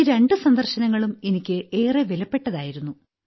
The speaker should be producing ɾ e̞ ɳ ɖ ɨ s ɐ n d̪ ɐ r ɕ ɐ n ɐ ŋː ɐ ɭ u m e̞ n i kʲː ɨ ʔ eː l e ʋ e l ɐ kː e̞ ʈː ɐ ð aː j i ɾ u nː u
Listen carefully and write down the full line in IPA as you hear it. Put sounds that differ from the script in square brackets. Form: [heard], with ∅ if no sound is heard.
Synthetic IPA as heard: ɾ e̞ ɳ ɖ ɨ s ɐ n d̪ ɐ r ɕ ɐ n ɐ ŋː ɐ ɭ u m e̞ n i kʲː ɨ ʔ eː [r] e ʋ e l ɐ [pː] e̞ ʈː ɐ ð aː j i ɾ u nː u